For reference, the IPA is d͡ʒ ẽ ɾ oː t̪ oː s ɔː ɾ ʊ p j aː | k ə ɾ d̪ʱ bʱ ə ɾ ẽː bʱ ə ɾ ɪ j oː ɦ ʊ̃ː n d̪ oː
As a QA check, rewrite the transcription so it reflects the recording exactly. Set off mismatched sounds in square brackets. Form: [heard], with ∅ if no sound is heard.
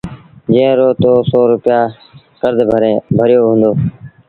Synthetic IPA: d͡ʒ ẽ ɾ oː t̪ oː s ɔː ɾ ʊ p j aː | k ə ɾ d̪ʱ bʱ ə ɾ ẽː bʱ ə ɾ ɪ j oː ɦ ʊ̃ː n d̪ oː